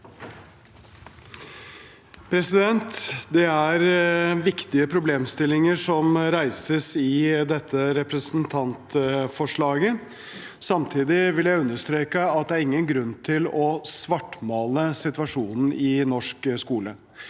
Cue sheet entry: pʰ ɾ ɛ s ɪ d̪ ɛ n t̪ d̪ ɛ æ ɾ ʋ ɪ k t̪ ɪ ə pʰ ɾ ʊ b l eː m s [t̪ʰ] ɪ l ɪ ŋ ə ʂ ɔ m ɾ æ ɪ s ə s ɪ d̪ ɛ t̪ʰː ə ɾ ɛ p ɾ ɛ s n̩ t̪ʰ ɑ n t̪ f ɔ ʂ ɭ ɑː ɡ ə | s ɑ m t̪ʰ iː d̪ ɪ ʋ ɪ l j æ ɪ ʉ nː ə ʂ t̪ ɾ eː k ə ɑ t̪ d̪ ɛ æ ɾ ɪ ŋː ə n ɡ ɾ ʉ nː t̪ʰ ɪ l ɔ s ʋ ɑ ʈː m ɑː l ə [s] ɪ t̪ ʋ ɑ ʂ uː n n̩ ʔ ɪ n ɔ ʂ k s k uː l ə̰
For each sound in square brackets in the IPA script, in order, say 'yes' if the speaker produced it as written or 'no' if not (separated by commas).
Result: no, yes